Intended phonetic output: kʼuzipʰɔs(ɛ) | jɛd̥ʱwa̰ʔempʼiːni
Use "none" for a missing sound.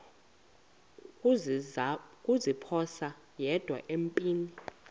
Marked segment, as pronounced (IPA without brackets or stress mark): a